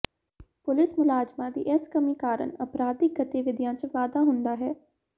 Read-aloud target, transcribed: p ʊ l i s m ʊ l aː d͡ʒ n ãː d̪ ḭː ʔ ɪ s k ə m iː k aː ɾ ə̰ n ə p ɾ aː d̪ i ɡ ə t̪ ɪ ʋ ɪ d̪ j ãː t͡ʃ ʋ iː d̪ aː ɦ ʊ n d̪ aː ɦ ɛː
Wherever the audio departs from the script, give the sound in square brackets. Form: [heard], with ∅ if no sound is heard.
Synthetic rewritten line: p ʊ l [ɪ] s m ʊ l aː d͡ʒ [m] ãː d̪ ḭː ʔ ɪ s k ə m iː k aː ɾ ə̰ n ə p ɾ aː d̪ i ɡ ə t̪ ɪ ʋ ɪ d̪ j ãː t͡ʃ ʋ [aː] d̪ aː ɦ ʊ n d̪ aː ɦ ɛː